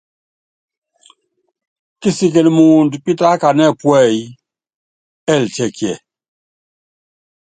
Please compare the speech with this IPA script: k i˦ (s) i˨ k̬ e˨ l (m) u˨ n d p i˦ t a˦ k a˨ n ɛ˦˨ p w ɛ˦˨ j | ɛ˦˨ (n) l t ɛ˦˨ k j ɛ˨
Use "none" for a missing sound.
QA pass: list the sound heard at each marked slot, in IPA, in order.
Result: s, m, none

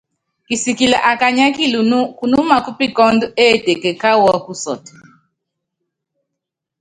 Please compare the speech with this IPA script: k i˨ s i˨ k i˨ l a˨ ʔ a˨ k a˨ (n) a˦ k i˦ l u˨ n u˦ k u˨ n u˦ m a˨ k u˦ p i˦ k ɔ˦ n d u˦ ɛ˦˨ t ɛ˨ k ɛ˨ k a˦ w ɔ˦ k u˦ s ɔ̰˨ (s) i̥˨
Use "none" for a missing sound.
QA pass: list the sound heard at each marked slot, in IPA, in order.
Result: ɲ, t

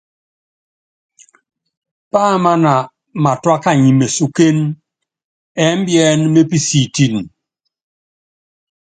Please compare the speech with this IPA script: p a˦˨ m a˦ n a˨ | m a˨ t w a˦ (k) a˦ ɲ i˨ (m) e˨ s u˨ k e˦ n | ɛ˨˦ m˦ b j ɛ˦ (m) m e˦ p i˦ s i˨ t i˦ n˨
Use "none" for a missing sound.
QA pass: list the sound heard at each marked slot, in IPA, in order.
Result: k, m, n

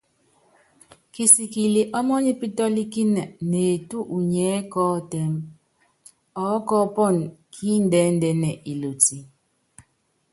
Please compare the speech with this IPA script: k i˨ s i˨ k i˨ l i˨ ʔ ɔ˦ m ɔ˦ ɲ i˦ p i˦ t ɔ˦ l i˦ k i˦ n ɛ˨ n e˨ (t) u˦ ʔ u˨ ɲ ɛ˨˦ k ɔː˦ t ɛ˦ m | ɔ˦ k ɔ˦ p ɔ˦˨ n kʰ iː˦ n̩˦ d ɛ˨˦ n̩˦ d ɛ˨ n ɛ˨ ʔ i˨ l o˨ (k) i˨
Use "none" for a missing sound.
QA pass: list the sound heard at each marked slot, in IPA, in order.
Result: t, t

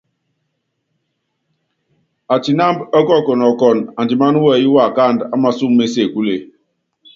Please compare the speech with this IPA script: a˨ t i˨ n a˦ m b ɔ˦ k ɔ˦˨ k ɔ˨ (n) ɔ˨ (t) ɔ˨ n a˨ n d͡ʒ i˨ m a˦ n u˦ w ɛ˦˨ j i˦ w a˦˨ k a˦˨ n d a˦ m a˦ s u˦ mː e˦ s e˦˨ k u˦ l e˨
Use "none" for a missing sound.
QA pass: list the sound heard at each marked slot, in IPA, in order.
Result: n, k

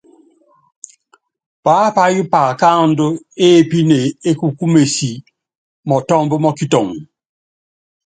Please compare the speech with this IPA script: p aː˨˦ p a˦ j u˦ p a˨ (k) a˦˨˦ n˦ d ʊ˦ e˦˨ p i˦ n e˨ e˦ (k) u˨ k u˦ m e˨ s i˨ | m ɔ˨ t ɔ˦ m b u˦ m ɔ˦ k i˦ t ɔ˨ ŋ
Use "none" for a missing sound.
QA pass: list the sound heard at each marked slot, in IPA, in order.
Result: k, k

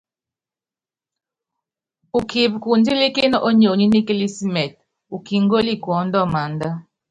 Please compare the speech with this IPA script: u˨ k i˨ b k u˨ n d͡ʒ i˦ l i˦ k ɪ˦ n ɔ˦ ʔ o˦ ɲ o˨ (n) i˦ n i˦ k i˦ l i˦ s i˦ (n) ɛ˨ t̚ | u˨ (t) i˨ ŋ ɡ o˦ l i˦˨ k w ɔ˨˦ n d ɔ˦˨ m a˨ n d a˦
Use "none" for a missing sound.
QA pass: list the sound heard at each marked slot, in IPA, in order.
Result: ɲ, m, k

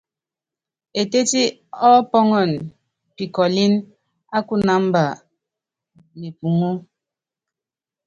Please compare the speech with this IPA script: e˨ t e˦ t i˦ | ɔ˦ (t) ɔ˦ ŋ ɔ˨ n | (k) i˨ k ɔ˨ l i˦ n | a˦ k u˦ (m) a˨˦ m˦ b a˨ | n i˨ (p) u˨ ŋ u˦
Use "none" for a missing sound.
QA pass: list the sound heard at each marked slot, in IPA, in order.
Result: p, p, n, p

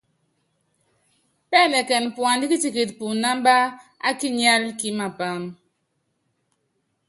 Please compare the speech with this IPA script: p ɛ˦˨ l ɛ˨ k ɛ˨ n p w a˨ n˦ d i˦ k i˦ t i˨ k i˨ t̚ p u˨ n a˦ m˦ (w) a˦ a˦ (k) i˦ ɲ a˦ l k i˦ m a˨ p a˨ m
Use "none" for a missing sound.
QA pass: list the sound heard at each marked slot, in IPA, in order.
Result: b, k

